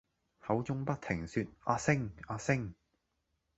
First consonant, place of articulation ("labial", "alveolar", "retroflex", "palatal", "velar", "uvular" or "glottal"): glottal